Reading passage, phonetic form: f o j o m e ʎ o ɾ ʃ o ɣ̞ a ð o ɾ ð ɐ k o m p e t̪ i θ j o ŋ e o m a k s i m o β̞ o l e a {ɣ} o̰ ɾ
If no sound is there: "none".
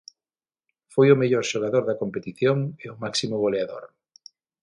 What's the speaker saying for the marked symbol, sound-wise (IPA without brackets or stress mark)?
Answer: ð